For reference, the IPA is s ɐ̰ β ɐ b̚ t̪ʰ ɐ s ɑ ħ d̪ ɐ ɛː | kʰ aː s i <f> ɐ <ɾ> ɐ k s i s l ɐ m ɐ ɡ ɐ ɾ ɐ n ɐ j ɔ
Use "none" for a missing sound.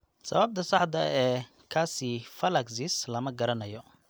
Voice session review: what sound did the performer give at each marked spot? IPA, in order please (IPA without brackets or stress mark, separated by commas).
f, l